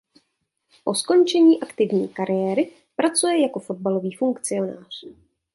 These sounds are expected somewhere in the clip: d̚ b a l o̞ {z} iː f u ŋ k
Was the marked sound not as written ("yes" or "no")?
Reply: yes